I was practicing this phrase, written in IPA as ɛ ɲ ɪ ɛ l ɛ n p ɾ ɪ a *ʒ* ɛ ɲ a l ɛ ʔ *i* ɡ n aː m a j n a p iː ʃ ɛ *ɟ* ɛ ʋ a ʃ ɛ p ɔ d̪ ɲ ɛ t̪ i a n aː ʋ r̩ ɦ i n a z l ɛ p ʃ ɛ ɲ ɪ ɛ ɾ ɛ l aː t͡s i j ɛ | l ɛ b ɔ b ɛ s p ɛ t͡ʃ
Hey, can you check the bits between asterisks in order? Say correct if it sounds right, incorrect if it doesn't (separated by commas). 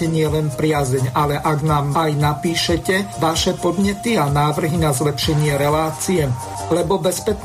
incorrect, incorrect, incorrect